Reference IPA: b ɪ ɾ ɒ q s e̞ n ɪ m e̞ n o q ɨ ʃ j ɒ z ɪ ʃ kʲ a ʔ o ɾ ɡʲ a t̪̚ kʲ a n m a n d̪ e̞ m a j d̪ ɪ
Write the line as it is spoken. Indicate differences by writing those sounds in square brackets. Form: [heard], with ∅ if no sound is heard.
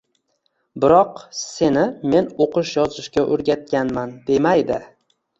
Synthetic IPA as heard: b ɪ ɾ ɒ q s e̞ n ɪ m e̞ n o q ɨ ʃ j ɒ z ɪ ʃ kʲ a ʔ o ɾ ɡʲ a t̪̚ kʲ a n m a n d̪ e̞ m a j d̪ ɪ